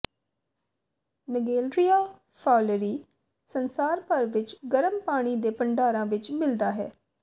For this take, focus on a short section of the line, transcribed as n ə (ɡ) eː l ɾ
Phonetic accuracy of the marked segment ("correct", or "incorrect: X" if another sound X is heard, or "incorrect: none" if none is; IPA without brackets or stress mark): correct